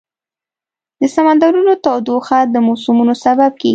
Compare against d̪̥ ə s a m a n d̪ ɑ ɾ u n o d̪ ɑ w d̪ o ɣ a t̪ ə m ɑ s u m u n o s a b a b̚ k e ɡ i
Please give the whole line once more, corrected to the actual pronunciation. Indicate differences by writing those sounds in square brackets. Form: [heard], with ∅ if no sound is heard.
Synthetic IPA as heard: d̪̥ ə s a m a n d̪ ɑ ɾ u n o [t̪] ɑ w d̪ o [x] a [d̪] ə m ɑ s u m u n o s a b a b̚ k e ɡ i